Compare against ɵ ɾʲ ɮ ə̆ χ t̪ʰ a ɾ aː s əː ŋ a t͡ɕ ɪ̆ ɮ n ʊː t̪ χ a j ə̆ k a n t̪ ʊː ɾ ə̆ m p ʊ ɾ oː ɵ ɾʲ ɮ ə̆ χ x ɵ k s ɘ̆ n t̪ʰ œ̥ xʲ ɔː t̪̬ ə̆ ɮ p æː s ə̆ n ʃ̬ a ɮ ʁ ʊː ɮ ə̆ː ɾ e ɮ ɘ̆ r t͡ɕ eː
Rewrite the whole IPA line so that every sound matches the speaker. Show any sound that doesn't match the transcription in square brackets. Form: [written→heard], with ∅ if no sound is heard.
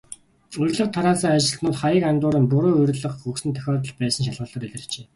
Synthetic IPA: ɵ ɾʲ ɮ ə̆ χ t̪ʰ a ɾ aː s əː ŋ a t͡ɕ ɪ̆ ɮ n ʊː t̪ χ a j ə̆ k a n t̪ ʊː ɾ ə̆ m p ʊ ɾ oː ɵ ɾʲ ɮ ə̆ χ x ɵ k s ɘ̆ n t̪ʰ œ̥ xʲ ɔː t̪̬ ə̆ ɮ p æː s ə̆ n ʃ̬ a ɮ ʁ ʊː ɮ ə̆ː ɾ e ɮ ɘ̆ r t͡ɕ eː

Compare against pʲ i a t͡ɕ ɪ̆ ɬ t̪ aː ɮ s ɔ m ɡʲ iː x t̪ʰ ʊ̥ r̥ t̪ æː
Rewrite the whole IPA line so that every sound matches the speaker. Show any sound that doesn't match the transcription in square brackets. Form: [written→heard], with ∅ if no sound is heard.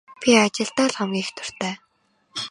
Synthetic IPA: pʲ i a t͡ɕ ɪ̆ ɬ t̪ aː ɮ [s→χ] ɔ m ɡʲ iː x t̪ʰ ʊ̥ r̥ t̪ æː

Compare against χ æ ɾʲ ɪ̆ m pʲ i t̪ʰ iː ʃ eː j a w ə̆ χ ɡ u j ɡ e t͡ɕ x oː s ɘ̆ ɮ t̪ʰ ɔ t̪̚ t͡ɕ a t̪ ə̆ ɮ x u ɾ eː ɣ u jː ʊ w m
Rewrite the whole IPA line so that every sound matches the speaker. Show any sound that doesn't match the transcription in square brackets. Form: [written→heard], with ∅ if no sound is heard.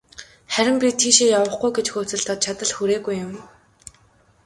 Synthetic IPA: χ æ ɾʲ ɪ̆ m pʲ i t̪ʰ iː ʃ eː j a w ə̆ χ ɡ u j ɡ e t͡ɕ x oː [s→t͡s] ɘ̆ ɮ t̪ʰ ɔ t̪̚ [t͡ɕ→t͡ɕʰ] a t̪ ə̆ ɮ x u ɾ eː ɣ u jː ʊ [w→∅] m

